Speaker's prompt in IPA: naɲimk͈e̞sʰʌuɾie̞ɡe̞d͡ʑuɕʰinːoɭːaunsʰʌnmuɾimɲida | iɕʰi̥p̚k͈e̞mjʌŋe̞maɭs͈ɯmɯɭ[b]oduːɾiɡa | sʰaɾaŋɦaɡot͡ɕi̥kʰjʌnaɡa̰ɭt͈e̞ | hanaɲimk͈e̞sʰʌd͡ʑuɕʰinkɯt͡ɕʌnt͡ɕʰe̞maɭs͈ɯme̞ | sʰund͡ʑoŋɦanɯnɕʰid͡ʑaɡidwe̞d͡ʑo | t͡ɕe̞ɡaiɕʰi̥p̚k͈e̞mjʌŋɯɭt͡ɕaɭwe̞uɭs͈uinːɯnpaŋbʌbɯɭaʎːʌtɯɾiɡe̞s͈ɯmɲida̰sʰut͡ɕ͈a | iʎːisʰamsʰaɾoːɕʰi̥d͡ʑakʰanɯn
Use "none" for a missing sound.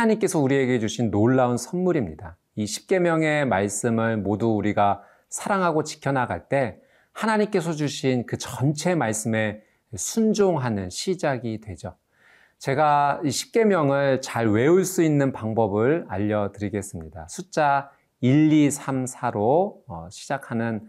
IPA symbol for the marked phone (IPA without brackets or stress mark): m